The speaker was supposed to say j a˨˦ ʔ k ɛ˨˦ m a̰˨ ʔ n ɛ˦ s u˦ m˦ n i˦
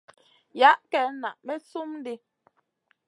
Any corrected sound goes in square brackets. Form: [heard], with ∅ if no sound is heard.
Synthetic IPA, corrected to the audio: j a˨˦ ʔ k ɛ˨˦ [n] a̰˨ ʔ [m] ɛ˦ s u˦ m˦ [d] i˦